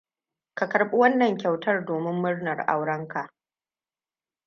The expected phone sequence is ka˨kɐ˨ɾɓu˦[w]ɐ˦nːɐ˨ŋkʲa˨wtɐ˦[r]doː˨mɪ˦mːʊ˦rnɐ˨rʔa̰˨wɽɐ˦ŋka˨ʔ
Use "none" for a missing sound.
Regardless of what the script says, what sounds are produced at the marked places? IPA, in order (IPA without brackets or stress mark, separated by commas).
w, r